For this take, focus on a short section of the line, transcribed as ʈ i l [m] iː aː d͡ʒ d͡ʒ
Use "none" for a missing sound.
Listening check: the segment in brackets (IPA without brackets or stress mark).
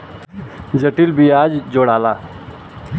b